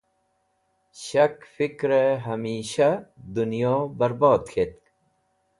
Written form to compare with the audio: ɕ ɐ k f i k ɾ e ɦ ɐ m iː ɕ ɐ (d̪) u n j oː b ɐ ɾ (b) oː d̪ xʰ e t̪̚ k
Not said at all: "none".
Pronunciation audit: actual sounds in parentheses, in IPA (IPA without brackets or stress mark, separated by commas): d̪, b